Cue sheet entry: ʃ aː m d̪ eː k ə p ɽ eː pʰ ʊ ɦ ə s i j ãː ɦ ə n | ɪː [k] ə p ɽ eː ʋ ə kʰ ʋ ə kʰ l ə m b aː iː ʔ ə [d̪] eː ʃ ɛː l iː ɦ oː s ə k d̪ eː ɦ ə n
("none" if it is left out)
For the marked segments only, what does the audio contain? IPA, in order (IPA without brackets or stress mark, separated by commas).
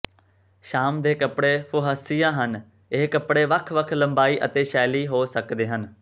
k, t̪